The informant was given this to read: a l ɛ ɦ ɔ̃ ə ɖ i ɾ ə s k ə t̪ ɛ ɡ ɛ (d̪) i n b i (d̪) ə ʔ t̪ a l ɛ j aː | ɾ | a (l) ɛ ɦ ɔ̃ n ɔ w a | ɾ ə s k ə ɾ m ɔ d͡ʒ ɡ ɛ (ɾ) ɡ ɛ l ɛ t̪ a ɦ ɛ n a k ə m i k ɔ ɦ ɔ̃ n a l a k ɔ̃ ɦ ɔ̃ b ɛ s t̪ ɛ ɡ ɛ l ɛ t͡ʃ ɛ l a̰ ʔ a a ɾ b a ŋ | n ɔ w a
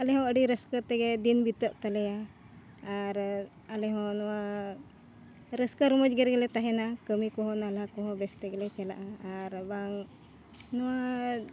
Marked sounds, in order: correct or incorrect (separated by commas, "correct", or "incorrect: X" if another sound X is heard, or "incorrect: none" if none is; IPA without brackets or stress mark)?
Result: correct, incorrect: t̪, correct, correct